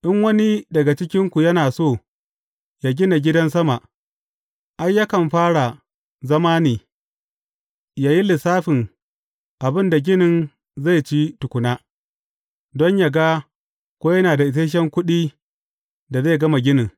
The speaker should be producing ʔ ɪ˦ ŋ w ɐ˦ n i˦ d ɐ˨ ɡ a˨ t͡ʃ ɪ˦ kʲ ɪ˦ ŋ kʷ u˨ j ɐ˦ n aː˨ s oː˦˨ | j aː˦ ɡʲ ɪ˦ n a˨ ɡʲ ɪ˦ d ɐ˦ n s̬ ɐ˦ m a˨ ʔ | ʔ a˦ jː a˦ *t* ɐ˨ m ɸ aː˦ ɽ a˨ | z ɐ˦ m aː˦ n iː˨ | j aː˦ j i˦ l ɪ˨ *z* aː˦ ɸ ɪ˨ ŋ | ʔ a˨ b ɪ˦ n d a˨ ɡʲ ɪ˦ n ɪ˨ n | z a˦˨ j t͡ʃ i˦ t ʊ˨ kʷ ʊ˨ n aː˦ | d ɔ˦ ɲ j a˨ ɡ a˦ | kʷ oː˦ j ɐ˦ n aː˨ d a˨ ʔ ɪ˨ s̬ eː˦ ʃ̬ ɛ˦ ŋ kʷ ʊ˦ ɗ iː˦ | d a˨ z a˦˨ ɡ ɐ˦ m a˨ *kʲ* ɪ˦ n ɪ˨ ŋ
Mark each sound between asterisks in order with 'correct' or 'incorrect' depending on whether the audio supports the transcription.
incorrect: k, incorrect: s, incorrect: ɡʲ

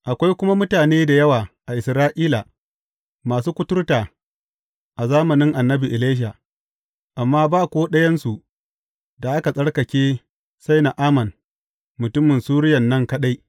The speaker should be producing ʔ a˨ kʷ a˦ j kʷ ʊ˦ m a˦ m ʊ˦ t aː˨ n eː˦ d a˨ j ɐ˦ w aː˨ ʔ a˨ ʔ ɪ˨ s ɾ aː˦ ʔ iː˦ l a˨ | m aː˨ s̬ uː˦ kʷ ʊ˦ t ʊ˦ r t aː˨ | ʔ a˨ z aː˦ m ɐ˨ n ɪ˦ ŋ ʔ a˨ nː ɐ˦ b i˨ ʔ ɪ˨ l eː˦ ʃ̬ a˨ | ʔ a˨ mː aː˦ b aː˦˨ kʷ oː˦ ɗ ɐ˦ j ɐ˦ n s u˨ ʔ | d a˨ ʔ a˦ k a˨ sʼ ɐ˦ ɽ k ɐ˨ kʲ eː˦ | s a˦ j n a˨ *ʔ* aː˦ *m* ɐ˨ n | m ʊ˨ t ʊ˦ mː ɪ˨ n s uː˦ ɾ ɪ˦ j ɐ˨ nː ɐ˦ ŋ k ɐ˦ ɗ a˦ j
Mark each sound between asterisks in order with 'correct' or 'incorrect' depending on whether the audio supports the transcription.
correct, correct

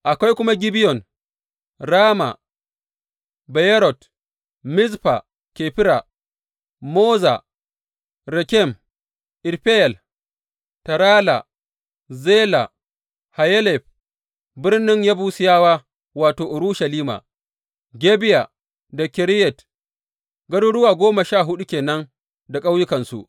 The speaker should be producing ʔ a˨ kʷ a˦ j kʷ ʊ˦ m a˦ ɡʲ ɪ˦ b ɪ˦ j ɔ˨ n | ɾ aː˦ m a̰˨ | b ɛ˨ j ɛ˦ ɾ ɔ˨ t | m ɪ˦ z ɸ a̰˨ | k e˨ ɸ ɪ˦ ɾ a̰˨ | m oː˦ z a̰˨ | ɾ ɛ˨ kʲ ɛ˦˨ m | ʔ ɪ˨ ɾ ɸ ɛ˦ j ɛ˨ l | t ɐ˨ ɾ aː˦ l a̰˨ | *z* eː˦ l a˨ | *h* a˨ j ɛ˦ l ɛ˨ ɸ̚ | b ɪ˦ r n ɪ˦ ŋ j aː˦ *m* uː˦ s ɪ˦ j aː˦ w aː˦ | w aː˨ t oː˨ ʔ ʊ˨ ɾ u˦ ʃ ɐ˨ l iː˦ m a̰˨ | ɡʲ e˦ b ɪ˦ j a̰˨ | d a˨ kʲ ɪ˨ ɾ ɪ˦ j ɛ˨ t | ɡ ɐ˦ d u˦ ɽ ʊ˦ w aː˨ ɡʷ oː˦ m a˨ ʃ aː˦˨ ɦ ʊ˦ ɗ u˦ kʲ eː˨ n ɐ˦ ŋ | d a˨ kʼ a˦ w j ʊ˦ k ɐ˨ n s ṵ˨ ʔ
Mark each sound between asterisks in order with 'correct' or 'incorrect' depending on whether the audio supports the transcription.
correct, correct, incorrect: b

